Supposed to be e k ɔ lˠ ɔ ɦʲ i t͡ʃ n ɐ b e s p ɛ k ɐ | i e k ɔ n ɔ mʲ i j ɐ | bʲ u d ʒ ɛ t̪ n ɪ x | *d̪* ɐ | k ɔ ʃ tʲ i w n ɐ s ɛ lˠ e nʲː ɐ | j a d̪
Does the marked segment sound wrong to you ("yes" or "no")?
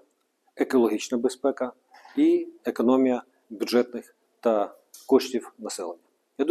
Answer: yes